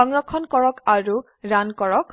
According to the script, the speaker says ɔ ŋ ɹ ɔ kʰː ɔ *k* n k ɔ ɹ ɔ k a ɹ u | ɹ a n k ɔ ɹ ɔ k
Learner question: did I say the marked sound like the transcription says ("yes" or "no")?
no